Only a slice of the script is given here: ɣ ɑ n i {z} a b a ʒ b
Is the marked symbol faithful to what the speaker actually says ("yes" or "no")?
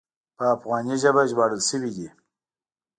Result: no